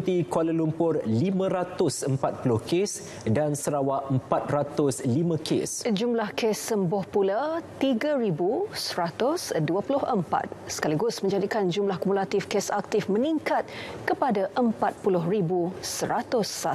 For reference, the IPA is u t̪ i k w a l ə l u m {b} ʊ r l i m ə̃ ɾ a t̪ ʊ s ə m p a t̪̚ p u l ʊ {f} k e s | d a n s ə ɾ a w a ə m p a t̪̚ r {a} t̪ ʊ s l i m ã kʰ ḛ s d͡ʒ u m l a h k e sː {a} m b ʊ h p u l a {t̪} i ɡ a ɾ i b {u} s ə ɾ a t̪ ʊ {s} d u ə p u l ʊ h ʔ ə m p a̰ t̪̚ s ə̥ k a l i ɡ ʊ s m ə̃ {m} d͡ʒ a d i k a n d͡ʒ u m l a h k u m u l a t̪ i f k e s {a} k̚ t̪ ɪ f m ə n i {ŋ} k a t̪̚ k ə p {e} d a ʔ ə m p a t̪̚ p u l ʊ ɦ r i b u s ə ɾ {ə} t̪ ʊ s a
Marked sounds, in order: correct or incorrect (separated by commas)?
incorrect, incorrect, correct, incorrect, correct, correct, correct, incorrect, correct, correct, incorrect, incorrect